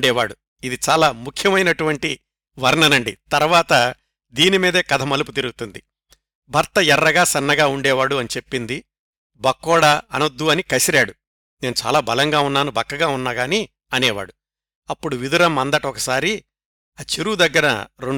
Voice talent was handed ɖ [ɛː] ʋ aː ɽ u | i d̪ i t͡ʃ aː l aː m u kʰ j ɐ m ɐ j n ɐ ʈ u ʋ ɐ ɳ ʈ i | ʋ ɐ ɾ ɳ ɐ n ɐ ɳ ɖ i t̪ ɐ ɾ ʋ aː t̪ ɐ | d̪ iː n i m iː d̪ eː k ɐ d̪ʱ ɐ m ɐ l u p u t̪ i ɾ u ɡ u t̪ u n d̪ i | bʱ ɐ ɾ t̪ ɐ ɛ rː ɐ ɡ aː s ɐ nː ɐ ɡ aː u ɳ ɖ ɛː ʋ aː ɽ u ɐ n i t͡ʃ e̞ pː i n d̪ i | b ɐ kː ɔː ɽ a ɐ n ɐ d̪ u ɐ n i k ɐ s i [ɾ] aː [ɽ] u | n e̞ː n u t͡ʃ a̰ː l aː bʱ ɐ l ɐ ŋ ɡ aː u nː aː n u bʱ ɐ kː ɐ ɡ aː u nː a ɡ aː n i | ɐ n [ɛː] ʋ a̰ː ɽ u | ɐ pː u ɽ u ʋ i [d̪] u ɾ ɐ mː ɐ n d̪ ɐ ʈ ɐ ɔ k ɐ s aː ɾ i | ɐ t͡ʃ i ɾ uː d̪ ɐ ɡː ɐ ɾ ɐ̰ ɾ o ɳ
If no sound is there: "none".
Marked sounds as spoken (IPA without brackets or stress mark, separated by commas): ɛː, ɾ, ɽ, ɛː, d̪